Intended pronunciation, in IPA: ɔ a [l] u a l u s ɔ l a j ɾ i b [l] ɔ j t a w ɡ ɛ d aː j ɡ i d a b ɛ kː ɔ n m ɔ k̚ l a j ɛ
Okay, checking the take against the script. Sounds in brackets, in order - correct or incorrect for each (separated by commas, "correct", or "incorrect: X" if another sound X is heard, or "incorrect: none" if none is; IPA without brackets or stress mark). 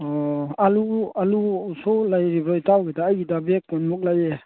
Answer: correct, incorrect: ɾ